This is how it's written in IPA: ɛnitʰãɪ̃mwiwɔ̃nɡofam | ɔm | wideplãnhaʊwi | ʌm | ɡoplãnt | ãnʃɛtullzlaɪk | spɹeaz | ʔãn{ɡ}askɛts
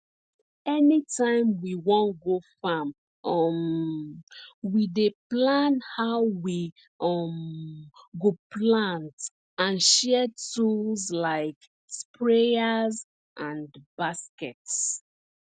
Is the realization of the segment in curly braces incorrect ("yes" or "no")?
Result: yes